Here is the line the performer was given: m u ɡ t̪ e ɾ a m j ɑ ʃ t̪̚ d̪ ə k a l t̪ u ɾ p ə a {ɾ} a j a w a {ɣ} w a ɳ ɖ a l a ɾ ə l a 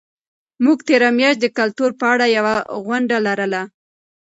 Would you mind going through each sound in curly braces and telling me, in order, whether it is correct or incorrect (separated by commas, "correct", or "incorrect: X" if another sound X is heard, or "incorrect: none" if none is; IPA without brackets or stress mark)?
incorrect: ɽ, correct